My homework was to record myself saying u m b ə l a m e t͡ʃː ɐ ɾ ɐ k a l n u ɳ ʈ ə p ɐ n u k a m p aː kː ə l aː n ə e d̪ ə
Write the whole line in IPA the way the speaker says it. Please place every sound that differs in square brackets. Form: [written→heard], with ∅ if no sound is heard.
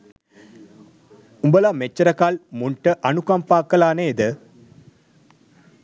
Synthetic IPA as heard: u m b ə l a m e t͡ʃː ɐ ɾ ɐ k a l [n→m] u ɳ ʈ ə [p→ʔ] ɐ n u k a m p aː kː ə l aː n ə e d̪ ə